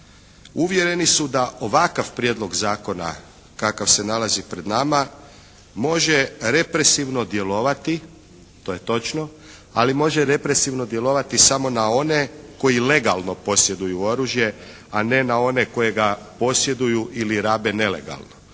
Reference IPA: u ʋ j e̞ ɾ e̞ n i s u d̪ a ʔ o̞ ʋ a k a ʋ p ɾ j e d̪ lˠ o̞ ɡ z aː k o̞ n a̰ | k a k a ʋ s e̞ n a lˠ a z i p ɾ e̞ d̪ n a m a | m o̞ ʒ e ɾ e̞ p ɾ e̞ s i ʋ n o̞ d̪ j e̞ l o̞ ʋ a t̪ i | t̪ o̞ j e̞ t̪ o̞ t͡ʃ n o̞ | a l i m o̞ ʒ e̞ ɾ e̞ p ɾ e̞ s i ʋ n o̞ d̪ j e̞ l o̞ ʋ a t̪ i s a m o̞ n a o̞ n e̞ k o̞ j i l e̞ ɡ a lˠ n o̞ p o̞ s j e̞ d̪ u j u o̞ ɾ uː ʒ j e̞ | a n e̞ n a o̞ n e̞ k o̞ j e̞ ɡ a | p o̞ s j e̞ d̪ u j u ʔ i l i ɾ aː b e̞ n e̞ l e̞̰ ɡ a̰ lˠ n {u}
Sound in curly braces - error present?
yes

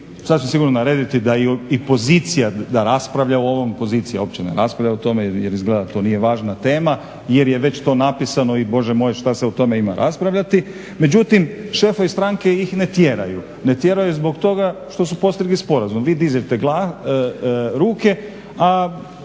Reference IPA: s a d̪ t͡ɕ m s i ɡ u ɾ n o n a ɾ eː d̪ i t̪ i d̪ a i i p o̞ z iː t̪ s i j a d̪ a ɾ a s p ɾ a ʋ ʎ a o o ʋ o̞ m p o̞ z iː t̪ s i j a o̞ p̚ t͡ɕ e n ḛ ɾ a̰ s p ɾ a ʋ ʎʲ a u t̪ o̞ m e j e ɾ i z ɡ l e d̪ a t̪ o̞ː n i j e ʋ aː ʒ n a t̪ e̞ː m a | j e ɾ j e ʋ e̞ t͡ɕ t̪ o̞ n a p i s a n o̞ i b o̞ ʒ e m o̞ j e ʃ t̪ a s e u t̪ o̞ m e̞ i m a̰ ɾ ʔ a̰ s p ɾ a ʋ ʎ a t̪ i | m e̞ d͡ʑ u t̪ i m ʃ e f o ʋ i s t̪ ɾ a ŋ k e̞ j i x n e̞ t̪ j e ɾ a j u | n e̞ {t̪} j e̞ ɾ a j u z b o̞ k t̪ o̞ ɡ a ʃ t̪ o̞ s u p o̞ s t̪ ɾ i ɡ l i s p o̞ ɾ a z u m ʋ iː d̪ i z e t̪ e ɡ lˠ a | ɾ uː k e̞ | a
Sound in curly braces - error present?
no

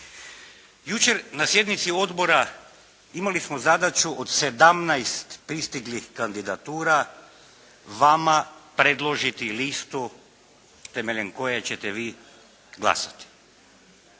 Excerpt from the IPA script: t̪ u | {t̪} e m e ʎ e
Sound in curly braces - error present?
no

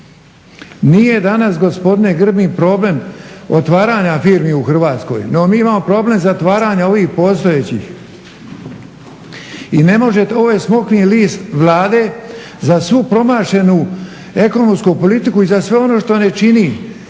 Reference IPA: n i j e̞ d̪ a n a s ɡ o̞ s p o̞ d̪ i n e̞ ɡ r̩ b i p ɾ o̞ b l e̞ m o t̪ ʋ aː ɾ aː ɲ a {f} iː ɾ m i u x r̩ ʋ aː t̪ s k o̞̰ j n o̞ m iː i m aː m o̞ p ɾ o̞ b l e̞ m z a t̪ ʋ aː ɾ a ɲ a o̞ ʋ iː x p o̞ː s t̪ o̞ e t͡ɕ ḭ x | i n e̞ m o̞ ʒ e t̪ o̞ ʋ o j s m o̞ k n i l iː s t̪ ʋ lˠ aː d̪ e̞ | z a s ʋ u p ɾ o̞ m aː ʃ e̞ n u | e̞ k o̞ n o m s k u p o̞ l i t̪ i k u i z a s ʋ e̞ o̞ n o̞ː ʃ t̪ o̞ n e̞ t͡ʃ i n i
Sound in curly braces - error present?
no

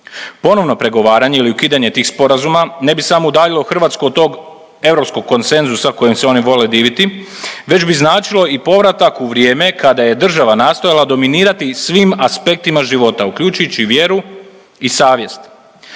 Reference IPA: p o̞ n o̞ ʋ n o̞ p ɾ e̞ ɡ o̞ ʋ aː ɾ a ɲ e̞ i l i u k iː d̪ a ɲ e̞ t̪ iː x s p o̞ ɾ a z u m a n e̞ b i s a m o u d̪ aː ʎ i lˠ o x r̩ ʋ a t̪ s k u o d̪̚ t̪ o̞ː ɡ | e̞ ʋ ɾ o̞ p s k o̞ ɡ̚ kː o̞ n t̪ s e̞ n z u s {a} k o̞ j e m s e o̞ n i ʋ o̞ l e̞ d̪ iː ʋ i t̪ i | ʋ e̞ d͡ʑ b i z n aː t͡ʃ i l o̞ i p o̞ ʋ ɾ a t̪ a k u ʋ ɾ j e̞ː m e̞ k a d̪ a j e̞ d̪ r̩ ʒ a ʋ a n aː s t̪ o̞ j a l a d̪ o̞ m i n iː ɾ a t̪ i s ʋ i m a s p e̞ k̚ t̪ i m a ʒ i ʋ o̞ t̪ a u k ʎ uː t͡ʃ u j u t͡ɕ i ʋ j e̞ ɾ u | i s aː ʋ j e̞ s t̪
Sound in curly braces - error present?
no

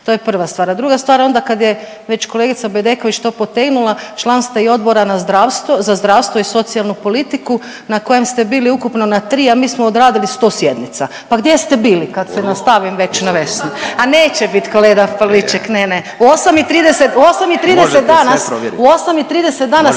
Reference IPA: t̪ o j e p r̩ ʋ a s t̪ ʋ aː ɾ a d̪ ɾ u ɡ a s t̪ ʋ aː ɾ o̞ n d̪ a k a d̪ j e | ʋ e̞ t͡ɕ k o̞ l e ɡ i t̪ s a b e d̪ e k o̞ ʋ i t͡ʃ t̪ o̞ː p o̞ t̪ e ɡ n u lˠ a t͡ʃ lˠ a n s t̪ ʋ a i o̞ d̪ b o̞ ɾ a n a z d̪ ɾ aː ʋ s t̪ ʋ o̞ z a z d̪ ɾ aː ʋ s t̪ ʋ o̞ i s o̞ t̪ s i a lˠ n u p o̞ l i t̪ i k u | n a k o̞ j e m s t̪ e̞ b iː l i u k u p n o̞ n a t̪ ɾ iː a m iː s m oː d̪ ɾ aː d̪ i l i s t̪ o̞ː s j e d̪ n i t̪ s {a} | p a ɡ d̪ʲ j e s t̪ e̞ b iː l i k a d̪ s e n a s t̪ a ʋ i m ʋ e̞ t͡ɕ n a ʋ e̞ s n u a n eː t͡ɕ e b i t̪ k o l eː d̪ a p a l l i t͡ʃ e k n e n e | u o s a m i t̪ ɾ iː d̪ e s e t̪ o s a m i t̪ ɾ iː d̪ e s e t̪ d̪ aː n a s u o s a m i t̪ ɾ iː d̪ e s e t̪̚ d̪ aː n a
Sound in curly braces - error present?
no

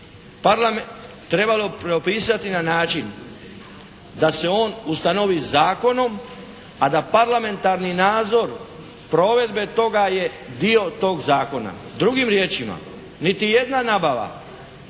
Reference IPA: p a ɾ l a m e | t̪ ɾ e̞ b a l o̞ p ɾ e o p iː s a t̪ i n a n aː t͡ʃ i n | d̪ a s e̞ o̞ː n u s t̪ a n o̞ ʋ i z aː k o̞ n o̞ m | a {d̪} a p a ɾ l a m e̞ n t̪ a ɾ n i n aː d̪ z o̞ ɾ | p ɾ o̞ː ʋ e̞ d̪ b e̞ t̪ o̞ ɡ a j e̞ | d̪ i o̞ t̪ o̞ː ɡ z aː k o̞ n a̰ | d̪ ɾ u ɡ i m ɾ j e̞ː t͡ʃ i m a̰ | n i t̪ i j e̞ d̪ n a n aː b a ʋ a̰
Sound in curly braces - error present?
no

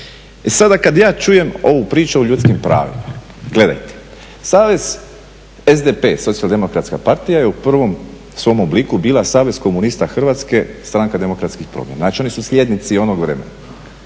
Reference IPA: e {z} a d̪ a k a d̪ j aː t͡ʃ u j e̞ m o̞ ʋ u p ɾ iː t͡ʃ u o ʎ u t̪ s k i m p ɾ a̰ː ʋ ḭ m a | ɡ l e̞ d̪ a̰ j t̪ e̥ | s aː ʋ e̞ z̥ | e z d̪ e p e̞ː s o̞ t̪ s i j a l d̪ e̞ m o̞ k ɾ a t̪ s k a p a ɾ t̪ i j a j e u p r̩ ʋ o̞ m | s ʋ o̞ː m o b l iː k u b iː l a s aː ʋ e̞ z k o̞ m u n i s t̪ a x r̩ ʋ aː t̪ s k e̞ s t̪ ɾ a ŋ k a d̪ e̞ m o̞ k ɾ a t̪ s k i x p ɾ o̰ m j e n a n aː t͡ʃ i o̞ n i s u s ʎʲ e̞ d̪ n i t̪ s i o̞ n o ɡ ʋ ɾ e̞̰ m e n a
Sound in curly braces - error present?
yes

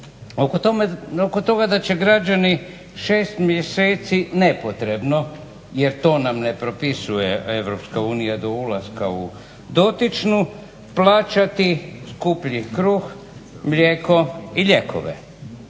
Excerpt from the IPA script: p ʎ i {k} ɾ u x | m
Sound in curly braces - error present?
no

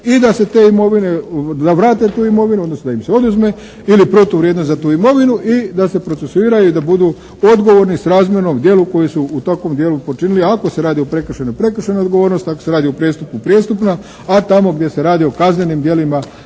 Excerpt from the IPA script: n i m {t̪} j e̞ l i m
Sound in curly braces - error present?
yes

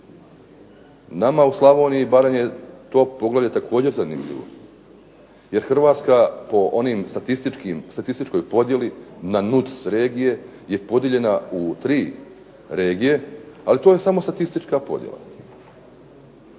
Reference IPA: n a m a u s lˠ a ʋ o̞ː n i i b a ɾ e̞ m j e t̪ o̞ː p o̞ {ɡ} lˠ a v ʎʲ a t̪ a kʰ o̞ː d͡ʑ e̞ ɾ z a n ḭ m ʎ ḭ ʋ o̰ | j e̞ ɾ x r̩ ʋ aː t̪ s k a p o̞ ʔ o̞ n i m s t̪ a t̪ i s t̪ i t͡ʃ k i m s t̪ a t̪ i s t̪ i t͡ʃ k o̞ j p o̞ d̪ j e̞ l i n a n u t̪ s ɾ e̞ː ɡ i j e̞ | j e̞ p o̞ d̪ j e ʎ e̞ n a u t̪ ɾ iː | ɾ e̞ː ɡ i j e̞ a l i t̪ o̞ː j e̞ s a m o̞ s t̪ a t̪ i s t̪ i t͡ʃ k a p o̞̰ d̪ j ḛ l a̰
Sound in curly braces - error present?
no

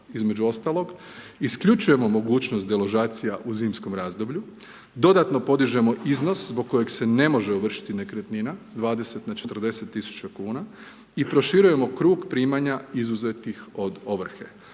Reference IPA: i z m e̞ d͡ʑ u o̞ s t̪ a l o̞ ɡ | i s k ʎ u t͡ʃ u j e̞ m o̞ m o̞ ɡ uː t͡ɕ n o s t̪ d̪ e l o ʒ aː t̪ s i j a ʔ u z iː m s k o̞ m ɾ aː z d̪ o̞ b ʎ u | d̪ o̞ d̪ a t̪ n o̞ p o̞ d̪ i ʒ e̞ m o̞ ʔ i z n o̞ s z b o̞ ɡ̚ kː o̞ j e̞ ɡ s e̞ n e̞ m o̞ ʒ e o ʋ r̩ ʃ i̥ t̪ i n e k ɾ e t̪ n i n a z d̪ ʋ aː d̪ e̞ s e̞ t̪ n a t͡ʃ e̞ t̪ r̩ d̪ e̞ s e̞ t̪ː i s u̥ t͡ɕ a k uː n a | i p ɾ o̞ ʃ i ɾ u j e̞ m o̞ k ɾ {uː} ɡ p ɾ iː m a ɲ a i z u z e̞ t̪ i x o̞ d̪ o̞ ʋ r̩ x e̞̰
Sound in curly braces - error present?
no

